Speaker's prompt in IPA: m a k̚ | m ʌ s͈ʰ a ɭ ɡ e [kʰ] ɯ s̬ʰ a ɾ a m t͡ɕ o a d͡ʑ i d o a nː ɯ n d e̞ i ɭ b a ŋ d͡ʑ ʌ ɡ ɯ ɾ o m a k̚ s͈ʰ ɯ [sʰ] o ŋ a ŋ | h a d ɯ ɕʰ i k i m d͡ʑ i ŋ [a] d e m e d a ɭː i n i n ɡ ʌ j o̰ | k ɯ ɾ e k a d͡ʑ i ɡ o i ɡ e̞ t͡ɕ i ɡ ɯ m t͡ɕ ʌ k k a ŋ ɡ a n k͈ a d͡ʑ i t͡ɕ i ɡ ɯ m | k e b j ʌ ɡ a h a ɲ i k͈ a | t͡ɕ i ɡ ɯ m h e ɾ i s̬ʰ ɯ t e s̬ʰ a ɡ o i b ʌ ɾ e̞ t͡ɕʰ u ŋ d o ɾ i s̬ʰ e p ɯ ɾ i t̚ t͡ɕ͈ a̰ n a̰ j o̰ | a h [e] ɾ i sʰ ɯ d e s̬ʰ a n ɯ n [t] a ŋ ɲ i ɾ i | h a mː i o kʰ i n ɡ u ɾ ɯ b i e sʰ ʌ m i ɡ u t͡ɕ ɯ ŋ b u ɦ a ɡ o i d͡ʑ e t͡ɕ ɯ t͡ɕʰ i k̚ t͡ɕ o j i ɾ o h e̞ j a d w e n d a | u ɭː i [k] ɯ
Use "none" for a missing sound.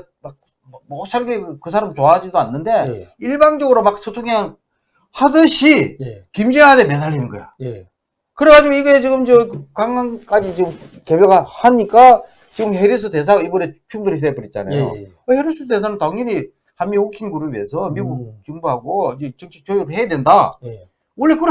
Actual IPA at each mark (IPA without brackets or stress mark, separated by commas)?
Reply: k, tʰ, a, e, t, k